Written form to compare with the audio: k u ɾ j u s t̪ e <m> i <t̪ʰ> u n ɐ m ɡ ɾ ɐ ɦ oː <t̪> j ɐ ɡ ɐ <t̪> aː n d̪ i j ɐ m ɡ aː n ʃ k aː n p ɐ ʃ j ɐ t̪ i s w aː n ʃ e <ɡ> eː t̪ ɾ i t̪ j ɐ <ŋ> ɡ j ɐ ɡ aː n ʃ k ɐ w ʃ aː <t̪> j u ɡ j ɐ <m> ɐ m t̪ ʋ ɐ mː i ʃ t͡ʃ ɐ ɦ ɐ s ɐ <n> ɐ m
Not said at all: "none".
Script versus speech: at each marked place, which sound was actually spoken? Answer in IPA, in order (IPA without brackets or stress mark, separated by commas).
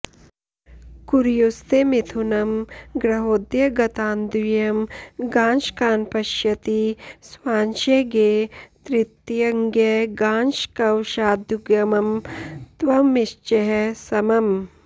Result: m, t̪ʰ, d̪, t̪, ɡ, ŋ, d̪, m, m